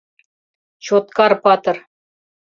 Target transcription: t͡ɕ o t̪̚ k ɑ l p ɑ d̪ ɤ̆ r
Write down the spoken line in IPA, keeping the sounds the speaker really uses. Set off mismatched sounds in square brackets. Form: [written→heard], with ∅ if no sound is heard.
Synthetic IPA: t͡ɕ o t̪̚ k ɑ [l→r] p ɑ [d̪→t̪] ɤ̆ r